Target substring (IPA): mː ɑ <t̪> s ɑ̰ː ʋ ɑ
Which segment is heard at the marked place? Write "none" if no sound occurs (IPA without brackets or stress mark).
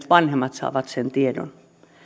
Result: t̪